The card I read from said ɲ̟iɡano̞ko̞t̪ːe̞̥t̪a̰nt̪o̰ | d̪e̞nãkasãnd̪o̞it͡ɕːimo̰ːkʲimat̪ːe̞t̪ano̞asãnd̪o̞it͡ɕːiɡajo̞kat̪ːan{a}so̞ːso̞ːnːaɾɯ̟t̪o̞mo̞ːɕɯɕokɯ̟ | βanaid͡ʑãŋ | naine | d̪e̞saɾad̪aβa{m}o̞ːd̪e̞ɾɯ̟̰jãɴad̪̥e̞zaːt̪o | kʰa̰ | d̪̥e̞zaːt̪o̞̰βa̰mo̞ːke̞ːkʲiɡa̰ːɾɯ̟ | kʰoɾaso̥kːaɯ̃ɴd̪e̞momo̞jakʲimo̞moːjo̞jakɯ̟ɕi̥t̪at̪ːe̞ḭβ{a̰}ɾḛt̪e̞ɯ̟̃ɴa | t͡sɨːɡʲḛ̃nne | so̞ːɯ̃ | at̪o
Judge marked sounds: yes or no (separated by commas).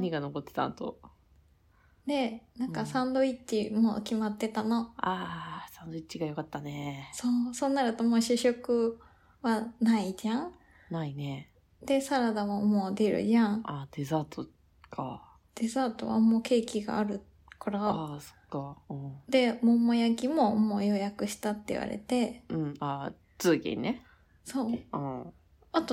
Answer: no, yes, yes